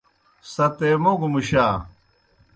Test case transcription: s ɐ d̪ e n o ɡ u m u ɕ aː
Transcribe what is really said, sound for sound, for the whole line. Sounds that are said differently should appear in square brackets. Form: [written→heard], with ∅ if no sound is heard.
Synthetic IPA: s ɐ [d̪→t̪] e [n→m] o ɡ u m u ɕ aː